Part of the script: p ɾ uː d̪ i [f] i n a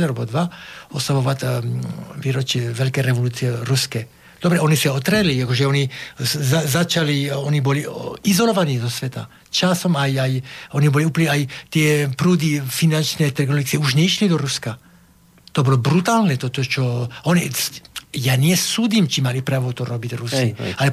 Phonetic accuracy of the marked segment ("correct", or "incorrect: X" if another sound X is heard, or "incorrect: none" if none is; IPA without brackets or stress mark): correct